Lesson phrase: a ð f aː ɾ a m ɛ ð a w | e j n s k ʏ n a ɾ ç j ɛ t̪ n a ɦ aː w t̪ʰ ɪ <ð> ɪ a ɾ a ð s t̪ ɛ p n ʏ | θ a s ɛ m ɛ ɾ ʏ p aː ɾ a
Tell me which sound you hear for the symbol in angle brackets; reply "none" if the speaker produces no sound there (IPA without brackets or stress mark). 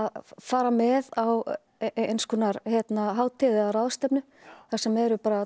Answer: ð